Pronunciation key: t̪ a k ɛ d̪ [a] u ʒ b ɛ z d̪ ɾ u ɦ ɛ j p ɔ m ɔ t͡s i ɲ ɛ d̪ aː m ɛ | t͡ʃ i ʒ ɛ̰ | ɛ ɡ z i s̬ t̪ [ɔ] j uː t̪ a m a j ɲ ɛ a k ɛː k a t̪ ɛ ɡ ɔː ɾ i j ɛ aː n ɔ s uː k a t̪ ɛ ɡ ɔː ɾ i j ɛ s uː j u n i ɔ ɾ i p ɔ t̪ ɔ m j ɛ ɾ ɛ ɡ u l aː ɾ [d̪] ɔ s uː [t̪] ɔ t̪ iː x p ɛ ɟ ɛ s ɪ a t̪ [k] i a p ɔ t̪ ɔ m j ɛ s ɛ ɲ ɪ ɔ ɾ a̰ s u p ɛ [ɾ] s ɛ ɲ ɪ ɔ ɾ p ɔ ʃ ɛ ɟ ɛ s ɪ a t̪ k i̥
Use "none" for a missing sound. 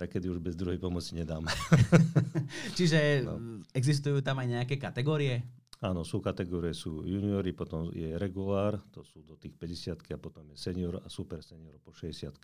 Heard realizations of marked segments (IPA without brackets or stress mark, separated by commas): i, u, t̪, d̪, k, ɾ